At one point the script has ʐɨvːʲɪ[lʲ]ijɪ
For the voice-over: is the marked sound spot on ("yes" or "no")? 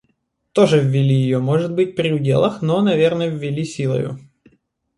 yes